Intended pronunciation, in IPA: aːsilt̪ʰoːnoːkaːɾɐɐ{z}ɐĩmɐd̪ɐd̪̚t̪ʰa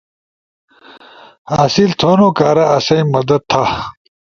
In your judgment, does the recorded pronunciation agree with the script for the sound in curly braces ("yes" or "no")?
no